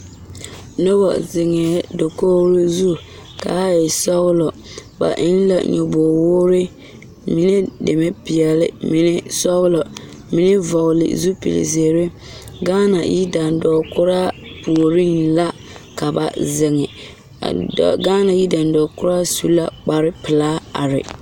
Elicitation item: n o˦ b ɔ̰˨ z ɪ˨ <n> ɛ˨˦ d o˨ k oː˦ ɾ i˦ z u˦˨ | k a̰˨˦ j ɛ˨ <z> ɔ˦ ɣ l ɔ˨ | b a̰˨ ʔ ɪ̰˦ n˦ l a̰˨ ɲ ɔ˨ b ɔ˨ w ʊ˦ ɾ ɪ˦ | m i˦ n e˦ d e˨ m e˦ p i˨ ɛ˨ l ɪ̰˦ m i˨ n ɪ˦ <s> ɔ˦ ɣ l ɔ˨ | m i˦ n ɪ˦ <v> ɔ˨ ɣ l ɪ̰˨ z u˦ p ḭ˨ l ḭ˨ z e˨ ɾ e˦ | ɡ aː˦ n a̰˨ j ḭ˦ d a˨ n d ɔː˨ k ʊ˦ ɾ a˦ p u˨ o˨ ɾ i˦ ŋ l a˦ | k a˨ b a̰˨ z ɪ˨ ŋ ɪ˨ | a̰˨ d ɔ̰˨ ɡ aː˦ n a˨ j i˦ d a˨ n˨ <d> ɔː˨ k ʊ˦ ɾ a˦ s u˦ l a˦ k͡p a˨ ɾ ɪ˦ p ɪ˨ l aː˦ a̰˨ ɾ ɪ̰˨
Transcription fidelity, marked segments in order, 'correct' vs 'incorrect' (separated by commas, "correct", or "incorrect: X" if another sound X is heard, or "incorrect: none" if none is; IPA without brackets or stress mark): incorrect: ŋ, incorrect: s, correct, correct, correct